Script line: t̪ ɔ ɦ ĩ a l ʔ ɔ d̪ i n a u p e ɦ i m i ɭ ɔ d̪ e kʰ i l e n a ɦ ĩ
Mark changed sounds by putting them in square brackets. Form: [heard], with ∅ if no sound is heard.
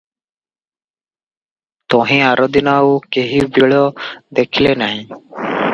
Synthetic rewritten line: t̪ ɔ ɦ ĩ a [ɾ] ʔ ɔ d̪ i n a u [k] e ɦ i [b] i ɭ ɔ d̪ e kʰ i l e n a ɦ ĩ